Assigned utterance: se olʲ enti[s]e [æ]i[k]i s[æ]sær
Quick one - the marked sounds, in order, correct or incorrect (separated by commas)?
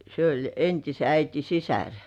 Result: correct, correct, incorrect, incorrect